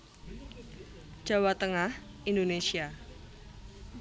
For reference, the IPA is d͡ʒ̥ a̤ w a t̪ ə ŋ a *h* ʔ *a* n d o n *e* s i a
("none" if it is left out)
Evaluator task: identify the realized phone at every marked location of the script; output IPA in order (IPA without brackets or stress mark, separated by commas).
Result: h, i, e